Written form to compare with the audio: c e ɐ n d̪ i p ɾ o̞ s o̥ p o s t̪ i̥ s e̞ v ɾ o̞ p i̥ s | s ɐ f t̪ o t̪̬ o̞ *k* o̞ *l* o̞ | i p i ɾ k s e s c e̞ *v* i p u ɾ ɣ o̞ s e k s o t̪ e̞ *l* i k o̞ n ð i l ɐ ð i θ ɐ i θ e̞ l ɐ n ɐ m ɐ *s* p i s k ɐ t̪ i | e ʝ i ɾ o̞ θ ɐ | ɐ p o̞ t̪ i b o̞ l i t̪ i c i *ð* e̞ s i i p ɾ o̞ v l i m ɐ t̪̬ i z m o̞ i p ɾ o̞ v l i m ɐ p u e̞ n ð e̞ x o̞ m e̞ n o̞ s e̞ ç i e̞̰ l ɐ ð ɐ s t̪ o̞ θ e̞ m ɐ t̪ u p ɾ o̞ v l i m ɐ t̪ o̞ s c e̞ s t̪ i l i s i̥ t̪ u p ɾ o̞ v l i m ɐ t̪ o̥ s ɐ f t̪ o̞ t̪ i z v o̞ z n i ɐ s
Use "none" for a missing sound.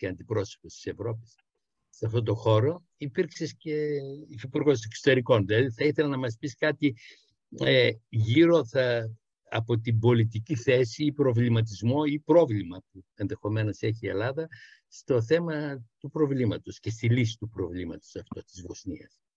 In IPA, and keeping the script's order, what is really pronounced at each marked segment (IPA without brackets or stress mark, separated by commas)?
x, ɾ, f, ɾ, s, θ